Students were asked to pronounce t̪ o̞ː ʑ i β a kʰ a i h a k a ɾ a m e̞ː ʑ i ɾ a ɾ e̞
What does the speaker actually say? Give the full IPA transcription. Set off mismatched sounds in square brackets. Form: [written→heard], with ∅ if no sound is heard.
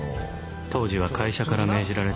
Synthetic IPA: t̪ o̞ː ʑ i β a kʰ a i [h→ɕ] a k a ɾ a m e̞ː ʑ i ɾ a ɾ e̞